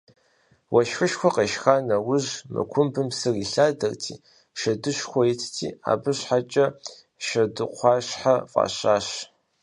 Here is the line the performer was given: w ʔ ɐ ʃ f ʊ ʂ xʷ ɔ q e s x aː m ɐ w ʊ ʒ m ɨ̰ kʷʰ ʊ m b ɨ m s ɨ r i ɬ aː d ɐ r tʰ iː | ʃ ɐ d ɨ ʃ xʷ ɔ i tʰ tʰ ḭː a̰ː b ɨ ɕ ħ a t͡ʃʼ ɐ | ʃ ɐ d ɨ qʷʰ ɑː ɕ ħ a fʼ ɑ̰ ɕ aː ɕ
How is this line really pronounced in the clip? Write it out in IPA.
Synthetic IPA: w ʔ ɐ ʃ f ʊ ʃ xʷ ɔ q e ʃ x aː n ɐ w ʊ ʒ m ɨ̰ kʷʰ ʊ m b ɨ m s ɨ r i ɬ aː d ɐ r tʰ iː | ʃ ɐ d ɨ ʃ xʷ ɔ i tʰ tʰ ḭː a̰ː b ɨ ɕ ħ a t͡ʃʼ ɐ | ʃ ɐ d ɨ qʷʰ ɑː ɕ ħ a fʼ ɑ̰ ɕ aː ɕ